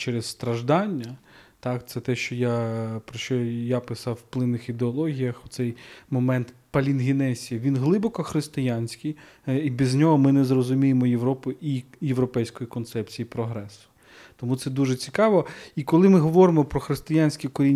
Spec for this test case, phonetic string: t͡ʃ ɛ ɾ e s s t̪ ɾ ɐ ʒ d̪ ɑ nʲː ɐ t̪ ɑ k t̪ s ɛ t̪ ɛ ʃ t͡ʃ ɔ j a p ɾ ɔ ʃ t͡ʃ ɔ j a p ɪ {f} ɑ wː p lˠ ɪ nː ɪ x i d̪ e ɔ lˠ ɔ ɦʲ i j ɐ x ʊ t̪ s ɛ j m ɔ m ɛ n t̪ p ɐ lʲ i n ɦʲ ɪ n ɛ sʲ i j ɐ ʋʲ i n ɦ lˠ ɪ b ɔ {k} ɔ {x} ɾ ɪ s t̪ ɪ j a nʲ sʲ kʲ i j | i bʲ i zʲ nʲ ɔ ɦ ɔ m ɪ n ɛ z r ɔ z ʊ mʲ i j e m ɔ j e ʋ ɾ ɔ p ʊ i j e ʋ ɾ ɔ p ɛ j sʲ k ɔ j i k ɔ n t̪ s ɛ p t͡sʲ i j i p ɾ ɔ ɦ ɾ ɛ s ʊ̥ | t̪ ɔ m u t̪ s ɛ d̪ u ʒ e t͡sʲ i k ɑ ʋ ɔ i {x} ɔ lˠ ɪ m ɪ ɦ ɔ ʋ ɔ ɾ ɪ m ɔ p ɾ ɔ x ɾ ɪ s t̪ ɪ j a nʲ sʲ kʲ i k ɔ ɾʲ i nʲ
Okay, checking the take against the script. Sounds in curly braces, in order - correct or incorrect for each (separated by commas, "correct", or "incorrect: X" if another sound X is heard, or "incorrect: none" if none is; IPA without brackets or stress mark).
incorrect: s, correct, correct, incorrect: k